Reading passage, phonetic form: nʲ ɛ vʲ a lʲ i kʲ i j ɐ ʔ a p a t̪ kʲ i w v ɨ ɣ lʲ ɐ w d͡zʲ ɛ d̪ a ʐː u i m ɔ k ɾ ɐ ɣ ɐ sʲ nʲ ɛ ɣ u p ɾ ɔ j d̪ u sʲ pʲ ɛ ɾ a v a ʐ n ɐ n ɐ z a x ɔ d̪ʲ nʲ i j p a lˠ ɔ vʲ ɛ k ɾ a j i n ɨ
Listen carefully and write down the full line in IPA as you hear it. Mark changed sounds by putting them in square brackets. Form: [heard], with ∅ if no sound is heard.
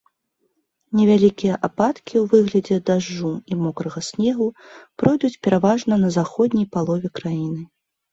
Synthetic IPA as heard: nʲ ɛ vʲ a lʲ i kʲ i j ɐ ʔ a p a t̪ kʲ i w v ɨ ɣ lʲ ɐ [∅] d͡zʲ ɛ d̪ a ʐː u i m ɔ k ɾ ɐ ɣ ɐ sʲ nʲ ɛ ɣ u p ɾ ɔ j d̪ u [t͡sʲ] pʲ ɛ ɾ a v a ʐ n ɐ n ɐ z a x ɔ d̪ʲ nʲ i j p a lˠ ɔ vʲ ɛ k ɾ a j i n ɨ